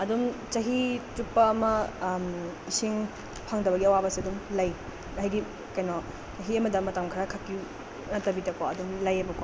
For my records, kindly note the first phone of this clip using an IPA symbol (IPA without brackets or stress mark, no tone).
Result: ɐ